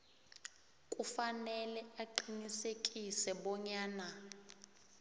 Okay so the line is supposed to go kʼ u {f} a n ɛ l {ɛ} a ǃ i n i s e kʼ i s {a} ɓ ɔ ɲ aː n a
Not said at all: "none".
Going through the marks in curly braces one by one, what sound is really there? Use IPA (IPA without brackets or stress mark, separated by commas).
f, ɛ, ɛ